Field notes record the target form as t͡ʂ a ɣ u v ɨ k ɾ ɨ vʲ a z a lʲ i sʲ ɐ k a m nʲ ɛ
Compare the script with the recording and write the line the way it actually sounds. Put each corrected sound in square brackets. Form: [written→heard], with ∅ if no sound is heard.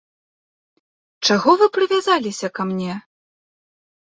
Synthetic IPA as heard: t͡ʂ a ɣ [u→ɔ] v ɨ [k→p] ɾ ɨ vʲ a z a lʲ i sʲ ɐ k a m nʲ ɛ